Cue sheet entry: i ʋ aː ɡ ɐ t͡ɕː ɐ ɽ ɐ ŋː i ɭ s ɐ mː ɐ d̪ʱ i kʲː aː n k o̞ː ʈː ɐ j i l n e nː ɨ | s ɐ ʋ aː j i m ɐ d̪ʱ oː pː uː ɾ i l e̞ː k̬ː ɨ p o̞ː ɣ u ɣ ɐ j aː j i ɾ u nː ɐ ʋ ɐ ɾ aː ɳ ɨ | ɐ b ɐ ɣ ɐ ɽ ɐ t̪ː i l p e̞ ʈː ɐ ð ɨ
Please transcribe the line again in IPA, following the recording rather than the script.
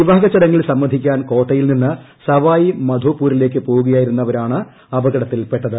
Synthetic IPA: i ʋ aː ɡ ɐ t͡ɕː ɐ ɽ ɐ ŋː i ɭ s ɐ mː ɐ d̪ʱ i kʲː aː n k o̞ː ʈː ɐ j i l n i nː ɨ | s ɐ ʋ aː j i m ɐ d̪ʱ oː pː uː ɾ i l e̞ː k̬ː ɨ p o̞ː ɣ u ɣ ɐ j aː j i ɾ u nː ɐ ʋ ɐ ɾ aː ɳ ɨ | ɐ b ɐ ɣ ɐ ɽ ɐ t̪ː i l p e̞ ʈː ɐ ð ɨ